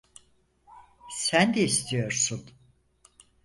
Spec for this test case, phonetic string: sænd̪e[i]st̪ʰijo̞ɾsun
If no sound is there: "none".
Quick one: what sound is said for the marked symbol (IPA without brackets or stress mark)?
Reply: i